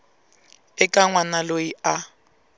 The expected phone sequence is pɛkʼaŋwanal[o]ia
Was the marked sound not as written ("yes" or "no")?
no